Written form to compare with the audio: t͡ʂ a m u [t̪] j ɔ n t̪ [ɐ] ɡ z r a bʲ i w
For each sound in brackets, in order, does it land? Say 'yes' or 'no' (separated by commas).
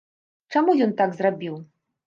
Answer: no, no